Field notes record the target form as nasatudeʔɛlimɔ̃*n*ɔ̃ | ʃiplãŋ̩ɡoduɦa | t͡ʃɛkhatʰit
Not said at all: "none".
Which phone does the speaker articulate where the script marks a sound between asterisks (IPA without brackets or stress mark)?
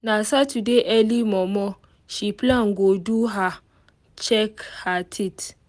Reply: m